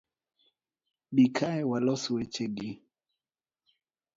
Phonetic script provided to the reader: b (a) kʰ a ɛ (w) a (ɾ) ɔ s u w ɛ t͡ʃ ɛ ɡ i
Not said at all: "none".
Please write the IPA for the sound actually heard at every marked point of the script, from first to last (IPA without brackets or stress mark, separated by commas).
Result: i, w, l